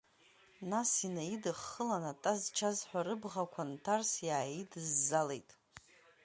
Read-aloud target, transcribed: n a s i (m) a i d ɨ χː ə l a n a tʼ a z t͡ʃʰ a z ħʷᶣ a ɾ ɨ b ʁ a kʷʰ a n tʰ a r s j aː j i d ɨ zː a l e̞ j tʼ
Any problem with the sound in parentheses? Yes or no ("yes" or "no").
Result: yes